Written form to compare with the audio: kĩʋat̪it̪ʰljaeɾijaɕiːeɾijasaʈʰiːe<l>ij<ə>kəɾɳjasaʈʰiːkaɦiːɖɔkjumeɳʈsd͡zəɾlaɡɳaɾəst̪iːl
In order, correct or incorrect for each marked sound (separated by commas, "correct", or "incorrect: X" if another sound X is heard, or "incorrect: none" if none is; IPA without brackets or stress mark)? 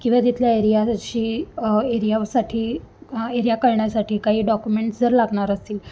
incorrect: ɾ, incorrect: a